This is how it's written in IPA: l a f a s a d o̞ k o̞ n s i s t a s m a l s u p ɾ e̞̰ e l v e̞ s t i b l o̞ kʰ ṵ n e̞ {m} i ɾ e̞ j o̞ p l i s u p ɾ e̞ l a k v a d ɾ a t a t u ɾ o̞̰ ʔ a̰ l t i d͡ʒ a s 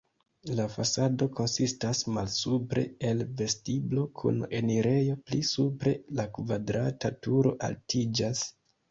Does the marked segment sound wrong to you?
yes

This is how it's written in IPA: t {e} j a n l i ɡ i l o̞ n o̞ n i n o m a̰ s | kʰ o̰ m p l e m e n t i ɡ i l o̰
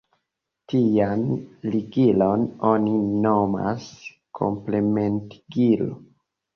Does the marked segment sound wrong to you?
yes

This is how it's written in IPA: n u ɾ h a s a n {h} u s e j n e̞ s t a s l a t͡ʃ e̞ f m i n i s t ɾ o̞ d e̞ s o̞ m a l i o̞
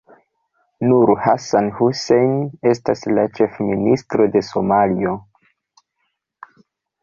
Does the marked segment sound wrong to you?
no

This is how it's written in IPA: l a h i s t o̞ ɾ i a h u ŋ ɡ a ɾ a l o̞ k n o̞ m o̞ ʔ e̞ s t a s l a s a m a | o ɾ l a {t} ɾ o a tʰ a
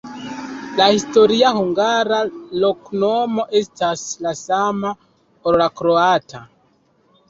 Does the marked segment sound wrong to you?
yes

